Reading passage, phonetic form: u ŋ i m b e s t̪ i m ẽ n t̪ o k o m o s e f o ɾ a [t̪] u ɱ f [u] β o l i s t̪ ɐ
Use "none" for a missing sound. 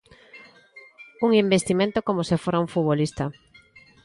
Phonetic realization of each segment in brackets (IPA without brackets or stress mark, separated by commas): none, u